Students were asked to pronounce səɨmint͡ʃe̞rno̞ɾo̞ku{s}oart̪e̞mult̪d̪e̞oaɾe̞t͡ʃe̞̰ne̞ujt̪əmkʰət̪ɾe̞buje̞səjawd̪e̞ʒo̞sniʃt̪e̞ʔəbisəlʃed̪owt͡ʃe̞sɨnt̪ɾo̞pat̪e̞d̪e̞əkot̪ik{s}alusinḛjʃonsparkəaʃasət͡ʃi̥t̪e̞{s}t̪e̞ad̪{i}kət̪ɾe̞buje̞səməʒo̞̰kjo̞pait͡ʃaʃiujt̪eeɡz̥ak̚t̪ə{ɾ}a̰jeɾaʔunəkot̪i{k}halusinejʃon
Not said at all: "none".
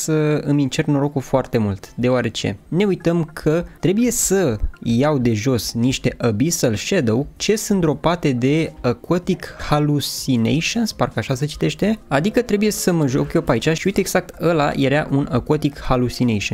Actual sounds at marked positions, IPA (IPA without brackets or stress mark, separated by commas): f, h, ʃ, i, l, k